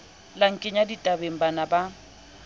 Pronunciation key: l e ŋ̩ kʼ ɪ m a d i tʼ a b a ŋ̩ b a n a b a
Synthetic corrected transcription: l a ŋ̩ kʼ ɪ ɲ a d i tʼ a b e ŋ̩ b a n a b a